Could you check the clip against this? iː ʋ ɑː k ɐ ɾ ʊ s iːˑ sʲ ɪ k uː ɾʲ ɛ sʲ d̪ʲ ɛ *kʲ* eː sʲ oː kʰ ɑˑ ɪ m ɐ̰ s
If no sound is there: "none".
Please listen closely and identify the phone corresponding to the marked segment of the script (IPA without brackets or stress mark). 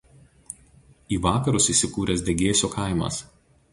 ɡʲ